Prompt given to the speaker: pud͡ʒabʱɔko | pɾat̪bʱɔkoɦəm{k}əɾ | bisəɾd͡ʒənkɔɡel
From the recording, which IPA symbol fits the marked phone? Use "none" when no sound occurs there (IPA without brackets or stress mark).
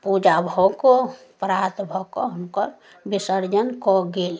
k